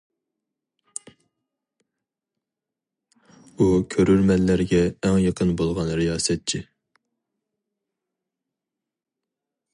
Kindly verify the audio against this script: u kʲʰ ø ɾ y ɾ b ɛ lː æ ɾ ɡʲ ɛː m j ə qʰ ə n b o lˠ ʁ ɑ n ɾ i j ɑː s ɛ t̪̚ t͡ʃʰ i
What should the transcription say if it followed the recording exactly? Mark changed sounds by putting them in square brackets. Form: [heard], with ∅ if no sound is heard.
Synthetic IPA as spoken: u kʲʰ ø ɾ y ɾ [m] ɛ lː æ ɾ ɡʲ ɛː [ŋ] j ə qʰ ə n b o lˠ ʁ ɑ n ɾ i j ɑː s ɛ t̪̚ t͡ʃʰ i